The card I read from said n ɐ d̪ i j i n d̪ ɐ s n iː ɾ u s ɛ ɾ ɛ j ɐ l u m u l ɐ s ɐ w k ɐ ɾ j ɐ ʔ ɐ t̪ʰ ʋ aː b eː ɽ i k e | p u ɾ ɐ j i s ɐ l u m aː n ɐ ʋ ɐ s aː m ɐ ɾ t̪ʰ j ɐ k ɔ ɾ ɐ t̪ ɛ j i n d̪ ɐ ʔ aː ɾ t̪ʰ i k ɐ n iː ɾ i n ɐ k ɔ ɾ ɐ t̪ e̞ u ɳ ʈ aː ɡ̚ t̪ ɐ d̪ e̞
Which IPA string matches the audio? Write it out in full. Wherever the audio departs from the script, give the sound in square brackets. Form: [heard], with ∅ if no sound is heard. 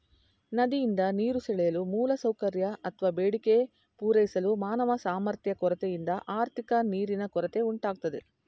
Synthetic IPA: n ɐ d̪ i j i n d̪ ɐ [∅] n iː ɾ u s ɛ [ɭ] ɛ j ɐ l u m [uː] l ɐ s ɐ w k ɐ ɾ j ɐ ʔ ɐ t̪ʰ ʋ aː b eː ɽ i k e | p [uː] ɾ ɐ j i s ɐ l u m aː n ɐ ʋ ɐ s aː m ɐ ɾ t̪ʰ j ɐ k ɔ ɾ ɐ t̪ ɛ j i n d̪ ɐ ʔ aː ɾ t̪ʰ i k ɐ n iː ɾ i n ɐ k ɔ ɾ ɐ t̪ e̞ u ɳ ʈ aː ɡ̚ t̪ ɐ d̪ e̞